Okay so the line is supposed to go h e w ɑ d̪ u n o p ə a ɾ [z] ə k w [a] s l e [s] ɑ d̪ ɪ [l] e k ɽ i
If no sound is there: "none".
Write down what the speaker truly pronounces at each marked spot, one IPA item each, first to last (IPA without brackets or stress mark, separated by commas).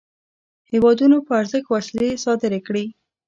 z, a, s, ɾ